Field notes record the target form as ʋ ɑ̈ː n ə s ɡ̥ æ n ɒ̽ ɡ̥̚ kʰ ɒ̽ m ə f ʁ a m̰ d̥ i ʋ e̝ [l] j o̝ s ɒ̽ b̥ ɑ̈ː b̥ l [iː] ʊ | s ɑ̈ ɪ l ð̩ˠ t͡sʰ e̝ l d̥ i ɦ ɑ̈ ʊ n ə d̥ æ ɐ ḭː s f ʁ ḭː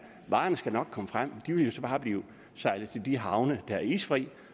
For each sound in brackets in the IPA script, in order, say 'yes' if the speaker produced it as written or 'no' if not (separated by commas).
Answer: yes, yes